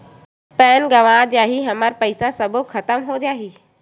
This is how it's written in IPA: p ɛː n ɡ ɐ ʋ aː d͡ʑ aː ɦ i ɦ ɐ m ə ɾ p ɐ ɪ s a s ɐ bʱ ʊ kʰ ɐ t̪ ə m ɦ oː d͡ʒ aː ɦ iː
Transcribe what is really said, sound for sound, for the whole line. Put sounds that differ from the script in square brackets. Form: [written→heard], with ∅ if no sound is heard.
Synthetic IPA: p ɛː n ɡ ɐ ʋ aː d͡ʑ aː ɦ i ɦ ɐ m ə ɾ p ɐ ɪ s a s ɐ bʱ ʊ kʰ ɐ t̪ ə m ɦ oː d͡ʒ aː ɦ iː